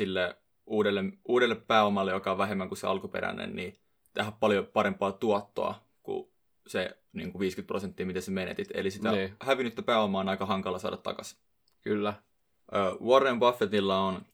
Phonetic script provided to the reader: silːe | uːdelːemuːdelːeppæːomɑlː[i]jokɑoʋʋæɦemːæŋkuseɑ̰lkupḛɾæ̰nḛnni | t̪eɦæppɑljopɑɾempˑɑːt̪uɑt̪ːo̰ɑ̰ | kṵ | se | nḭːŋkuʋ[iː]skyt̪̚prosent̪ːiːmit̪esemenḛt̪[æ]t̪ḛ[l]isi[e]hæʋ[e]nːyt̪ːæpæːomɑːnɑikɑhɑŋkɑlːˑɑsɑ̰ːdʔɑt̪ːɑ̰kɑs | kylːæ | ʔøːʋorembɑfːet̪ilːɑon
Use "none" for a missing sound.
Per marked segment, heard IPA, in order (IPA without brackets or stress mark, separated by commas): e, iː, i, l, æ, i